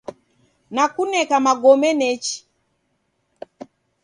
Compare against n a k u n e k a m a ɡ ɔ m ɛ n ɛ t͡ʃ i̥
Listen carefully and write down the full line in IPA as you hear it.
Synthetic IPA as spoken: n a k u n ɛ k a m a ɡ ɔ m ɛ n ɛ t͡ʃ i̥